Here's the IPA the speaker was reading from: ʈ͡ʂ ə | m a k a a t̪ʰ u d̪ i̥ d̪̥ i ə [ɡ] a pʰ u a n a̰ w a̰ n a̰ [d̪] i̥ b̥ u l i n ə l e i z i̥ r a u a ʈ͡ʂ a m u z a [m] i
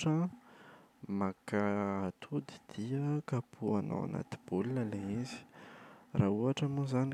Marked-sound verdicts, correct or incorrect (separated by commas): incorrect, incorrect, incorrect